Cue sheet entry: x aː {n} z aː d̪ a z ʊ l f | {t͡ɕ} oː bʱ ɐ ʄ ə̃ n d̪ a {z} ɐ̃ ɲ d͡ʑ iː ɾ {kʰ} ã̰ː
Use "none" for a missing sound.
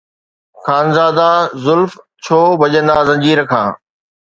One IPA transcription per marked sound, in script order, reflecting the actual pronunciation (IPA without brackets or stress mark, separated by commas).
n, t͡ɕʰ, z, kʰ